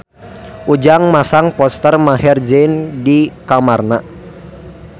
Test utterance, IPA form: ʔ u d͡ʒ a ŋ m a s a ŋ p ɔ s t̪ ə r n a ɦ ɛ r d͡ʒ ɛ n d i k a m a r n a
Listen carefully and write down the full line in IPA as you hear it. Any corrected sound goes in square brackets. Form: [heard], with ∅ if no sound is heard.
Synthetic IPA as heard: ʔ u d͡ʒ a ŋ m a s a ŋ p ɔ s t̪ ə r [m] a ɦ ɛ r d͡ʒ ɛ n d i k a m a r n a